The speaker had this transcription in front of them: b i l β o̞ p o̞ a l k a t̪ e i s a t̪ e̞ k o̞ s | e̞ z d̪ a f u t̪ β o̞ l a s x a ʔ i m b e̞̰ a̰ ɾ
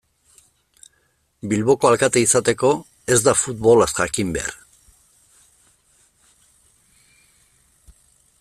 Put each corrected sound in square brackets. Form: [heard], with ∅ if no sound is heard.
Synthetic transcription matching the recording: b i l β o̞ [k] o̞ a l k a t̪ e i s a t̪ e̞ k o̞ [∅] | e̞ z d̪ a f u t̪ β o̞ l a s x a [k] i m b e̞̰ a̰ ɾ